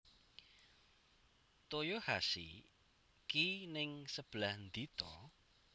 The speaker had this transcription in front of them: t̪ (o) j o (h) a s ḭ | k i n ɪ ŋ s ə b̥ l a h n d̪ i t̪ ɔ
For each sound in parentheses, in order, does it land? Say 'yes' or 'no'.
yes, yes

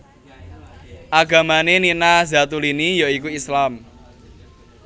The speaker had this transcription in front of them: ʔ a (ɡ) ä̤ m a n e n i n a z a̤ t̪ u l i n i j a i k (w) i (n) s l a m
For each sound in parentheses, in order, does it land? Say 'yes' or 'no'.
yes, no, no

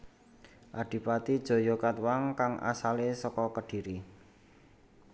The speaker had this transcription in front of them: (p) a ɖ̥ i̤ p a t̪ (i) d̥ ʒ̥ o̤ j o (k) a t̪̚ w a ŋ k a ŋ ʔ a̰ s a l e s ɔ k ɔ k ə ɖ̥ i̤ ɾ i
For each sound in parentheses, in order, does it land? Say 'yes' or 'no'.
no, yes, yes

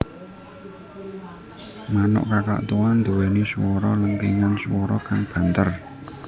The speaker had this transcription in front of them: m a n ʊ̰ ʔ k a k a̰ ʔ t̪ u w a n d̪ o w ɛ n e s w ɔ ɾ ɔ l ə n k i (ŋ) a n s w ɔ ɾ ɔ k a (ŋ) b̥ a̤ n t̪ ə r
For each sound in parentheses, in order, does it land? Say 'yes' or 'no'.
yes, yes

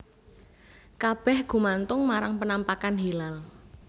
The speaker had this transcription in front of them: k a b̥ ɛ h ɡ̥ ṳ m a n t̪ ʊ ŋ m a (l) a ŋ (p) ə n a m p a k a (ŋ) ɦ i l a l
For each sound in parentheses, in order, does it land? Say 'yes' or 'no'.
no, yes, no

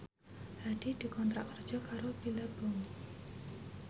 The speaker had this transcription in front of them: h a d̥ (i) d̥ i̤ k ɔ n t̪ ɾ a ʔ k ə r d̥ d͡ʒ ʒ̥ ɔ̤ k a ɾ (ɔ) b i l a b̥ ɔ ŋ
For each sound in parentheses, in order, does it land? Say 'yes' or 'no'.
yes, no

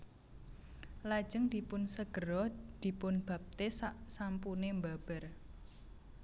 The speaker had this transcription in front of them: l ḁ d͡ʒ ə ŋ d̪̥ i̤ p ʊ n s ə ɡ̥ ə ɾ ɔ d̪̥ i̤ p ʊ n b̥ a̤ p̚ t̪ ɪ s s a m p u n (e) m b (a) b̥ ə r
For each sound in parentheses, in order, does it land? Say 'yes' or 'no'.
yes, yes

